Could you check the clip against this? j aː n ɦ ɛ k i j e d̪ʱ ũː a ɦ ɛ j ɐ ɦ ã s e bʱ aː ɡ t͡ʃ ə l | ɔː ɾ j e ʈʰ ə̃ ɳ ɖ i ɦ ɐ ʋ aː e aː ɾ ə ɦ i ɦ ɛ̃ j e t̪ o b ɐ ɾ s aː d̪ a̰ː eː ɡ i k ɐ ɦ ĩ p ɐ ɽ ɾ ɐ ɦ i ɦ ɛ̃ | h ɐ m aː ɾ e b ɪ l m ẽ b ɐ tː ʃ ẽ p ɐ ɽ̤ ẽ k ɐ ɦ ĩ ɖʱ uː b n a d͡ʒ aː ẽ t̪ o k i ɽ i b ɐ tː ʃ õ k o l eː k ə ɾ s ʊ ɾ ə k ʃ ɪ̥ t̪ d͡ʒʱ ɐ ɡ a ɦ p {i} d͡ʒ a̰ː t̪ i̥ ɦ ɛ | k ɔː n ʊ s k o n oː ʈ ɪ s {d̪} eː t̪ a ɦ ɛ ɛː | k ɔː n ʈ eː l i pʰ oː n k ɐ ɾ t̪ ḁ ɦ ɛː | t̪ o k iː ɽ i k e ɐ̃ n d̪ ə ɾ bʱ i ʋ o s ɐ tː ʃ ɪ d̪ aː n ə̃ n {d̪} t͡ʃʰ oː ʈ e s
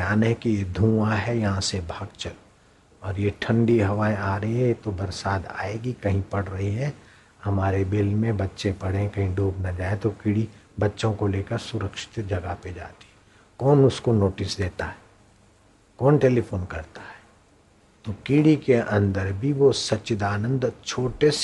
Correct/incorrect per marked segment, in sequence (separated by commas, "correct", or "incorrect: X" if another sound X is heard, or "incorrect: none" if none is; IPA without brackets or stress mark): incorrect: e, correct, correct